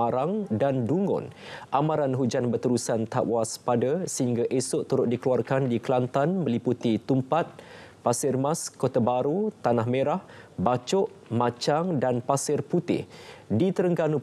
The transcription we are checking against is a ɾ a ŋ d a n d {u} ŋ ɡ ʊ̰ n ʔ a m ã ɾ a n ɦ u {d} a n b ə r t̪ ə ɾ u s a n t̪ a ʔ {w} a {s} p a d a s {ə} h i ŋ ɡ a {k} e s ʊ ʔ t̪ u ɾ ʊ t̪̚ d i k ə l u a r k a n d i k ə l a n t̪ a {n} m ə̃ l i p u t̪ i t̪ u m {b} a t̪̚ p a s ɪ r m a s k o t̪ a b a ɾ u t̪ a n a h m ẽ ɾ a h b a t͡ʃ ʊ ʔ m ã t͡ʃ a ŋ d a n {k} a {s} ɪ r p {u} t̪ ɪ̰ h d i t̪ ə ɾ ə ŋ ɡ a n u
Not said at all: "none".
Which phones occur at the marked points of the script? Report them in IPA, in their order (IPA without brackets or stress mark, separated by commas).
u, d͡ʒ, w, s, ə, ʔ, n, p, p, s, u